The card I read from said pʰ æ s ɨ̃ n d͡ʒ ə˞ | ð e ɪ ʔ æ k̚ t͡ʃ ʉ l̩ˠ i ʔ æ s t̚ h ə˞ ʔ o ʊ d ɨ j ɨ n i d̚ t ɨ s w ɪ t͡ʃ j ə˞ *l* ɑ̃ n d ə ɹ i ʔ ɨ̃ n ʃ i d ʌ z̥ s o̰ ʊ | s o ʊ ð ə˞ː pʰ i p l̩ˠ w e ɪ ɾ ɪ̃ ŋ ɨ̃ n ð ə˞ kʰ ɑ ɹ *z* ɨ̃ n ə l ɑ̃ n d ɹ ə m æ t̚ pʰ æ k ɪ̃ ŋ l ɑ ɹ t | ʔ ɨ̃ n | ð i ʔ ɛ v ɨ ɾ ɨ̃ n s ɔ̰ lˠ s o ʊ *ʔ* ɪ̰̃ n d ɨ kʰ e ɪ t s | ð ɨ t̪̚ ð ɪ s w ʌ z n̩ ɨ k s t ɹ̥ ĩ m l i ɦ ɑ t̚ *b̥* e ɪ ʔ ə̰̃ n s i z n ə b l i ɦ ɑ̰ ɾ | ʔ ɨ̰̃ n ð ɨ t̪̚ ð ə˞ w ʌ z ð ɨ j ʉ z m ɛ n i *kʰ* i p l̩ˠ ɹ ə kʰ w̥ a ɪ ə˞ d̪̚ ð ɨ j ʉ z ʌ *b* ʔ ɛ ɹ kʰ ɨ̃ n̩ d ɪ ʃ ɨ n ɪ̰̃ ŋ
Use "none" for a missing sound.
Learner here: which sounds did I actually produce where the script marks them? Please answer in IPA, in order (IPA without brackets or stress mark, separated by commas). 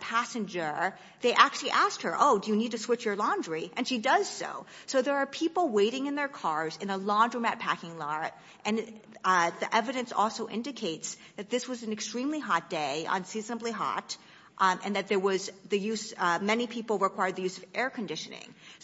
l, z, ʔ, d̥, pʰ, v